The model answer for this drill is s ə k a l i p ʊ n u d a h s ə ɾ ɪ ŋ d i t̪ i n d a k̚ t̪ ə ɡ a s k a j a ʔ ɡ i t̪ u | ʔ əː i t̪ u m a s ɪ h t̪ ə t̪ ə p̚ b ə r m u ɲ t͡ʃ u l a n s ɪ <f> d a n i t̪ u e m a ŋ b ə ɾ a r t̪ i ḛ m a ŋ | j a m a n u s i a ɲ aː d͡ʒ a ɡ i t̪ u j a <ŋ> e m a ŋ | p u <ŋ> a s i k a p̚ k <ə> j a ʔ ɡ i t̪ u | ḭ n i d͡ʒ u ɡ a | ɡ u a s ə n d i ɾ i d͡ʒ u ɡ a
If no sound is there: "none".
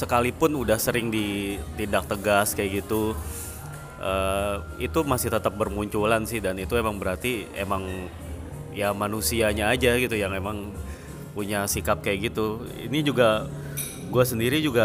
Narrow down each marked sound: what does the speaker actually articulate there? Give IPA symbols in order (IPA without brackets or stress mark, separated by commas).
h, ŋ, ɲ, a